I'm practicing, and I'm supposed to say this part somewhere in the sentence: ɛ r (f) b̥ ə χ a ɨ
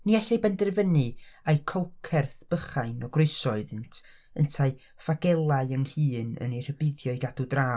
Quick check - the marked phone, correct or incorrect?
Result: incorrect